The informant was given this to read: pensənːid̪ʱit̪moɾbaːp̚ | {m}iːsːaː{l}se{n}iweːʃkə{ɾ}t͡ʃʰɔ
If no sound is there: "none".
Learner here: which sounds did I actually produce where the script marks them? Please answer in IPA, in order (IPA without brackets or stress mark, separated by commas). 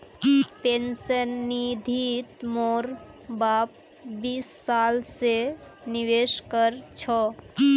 b, l, n, ɾ